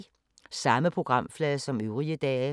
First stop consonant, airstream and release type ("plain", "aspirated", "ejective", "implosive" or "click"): aspirated